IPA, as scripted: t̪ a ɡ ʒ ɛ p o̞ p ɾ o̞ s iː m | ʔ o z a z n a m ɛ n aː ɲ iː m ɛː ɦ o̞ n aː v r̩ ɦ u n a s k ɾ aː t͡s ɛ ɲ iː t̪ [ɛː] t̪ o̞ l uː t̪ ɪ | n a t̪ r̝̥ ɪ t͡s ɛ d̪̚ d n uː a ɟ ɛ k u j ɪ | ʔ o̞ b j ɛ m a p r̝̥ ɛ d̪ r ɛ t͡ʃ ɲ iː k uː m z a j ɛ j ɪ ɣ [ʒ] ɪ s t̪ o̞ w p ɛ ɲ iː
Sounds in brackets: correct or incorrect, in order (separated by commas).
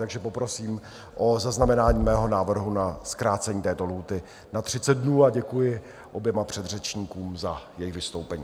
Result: correct, incorrect